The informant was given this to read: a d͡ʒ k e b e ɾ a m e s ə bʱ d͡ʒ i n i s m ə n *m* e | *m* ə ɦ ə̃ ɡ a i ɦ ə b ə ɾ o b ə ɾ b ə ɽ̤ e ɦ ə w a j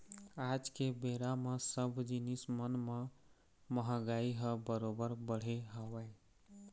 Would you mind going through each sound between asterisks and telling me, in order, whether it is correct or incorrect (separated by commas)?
correct, correct